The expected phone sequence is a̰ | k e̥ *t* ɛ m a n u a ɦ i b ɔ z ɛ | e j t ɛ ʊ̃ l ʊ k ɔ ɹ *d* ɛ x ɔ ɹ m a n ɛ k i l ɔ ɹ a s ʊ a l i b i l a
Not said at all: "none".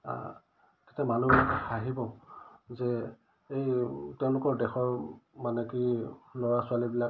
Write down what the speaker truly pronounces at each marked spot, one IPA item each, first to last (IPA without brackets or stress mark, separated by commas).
t, d